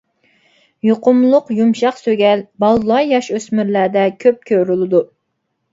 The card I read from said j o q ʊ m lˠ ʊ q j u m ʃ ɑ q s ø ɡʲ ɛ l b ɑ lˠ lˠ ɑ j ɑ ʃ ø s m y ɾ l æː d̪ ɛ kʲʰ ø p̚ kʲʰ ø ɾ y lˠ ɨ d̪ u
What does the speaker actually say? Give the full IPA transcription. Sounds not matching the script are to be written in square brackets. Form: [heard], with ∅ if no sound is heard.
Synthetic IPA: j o q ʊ m lˠ ʊ q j u m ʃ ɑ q s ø ɡʲ ɛ l b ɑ lˠ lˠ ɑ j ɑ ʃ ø s m y ɾ l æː d̪ ɛ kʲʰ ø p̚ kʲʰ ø ɾ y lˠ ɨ d̪ u